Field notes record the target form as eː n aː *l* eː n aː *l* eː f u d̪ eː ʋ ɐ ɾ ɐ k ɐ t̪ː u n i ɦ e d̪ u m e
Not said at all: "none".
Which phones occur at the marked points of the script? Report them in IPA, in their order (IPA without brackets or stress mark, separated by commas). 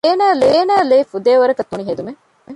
l, l